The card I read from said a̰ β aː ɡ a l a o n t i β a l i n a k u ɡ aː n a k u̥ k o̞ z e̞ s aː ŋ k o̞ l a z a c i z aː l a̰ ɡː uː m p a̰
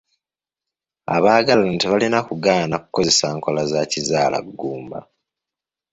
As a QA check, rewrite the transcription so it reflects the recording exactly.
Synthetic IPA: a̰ β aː ɡ a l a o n t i β a l i n a k u ɡ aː n a k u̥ k o̞ z e̞ s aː ŋ k o̞ l a z a c i z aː l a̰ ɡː uː m b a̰